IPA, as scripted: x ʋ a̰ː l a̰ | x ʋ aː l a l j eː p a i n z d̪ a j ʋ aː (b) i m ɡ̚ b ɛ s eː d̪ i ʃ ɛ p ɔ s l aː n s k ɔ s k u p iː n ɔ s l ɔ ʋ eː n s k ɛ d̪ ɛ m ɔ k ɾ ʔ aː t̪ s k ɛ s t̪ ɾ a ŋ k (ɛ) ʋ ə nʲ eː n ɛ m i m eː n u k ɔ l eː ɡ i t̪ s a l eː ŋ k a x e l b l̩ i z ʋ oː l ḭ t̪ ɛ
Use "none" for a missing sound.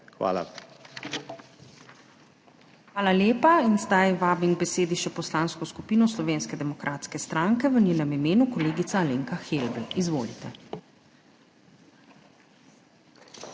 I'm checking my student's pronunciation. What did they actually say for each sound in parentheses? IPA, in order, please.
b, ɛ

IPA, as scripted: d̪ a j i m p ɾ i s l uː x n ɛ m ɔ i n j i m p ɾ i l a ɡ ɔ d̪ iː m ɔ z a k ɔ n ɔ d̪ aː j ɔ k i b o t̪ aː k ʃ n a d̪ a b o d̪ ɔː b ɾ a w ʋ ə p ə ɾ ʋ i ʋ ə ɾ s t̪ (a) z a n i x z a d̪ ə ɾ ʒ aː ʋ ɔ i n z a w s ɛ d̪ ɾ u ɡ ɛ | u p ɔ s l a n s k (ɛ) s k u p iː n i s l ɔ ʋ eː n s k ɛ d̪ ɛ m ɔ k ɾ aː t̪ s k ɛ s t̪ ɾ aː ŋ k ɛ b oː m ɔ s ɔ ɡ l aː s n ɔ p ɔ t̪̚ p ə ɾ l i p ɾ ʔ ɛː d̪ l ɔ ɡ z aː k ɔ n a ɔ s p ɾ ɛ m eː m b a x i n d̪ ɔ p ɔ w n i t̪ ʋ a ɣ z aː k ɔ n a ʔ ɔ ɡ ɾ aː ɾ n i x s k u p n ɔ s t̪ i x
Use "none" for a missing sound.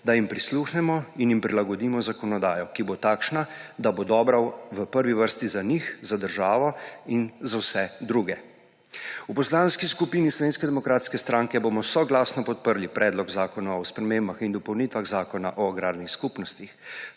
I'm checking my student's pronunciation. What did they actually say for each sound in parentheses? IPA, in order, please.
i, i

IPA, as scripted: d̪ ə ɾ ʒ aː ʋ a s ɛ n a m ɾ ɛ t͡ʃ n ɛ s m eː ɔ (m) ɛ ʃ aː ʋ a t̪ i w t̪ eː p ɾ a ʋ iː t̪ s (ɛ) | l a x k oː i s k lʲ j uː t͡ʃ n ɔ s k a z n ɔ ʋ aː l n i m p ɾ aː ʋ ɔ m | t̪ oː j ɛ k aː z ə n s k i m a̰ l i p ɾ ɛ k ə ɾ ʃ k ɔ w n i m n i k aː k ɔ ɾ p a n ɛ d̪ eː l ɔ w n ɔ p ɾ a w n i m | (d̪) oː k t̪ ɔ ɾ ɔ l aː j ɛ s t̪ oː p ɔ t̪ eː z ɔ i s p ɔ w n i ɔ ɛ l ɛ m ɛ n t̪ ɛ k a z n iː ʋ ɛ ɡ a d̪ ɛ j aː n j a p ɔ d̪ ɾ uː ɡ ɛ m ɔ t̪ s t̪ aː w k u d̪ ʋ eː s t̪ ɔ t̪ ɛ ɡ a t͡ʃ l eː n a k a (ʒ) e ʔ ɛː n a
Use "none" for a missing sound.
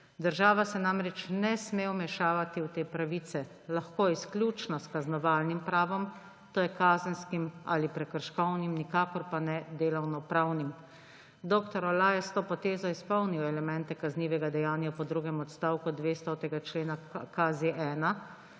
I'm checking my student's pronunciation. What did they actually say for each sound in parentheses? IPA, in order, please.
m, ɛ, d̪, z

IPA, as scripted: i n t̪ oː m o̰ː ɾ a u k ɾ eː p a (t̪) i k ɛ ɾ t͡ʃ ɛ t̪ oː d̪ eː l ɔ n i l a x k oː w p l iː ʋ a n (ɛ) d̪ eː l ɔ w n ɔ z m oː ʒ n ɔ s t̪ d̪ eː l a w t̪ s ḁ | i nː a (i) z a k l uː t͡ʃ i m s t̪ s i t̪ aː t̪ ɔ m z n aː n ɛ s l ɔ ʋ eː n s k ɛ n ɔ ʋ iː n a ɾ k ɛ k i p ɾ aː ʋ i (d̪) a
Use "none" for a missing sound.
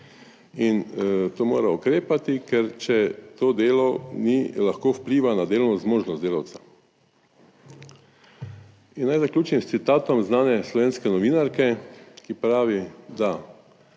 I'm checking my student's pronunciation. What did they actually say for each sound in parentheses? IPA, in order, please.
t̪, a, j, d̪

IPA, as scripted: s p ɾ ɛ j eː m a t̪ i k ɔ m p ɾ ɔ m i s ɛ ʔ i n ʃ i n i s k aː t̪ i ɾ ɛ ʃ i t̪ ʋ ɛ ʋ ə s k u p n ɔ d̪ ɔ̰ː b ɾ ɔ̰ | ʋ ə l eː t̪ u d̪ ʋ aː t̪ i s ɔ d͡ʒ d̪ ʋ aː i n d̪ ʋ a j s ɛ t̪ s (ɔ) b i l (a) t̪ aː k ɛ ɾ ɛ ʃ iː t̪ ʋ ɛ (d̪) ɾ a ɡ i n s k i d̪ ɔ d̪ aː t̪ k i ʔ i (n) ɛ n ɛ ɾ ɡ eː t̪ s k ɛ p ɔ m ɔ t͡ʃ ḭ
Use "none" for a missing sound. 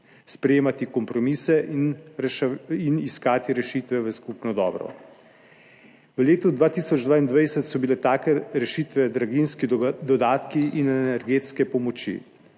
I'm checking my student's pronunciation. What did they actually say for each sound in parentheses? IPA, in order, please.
ɔ, ɛ, d̪, n

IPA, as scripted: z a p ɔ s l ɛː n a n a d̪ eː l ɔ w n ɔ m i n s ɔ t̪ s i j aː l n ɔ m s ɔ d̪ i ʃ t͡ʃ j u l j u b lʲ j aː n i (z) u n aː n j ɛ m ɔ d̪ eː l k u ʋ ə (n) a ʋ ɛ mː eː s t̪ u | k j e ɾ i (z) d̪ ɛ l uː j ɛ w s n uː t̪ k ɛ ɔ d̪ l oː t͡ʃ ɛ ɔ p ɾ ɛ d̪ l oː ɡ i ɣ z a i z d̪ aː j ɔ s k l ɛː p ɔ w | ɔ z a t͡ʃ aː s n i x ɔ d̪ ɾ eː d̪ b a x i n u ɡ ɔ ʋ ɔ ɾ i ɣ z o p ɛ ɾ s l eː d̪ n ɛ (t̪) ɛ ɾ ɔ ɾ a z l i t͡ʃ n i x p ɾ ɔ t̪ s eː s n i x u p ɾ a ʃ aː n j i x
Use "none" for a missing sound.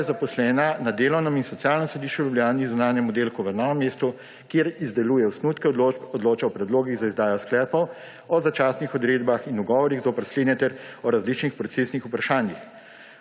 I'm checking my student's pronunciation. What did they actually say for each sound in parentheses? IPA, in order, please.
z, n, z, t̪

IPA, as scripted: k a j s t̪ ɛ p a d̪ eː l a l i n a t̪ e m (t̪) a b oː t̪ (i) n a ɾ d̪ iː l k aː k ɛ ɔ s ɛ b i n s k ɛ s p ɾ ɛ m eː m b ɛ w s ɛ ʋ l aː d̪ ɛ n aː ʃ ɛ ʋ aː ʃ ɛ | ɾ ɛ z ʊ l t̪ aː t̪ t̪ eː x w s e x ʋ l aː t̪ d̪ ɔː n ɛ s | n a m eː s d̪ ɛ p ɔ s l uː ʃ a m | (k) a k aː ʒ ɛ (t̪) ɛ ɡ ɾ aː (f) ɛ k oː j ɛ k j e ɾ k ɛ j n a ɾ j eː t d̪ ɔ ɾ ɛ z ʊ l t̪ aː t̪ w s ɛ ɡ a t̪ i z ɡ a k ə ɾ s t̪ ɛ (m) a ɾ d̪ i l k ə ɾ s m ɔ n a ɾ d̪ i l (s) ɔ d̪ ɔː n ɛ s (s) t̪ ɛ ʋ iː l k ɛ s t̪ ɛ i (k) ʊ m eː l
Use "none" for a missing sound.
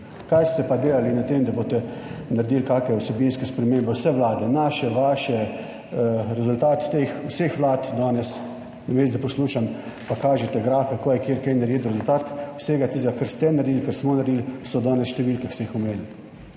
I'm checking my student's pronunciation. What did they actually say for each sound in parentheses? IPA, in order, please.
d̪, ɛ, p, t̪, f, n, s, ʃ, x

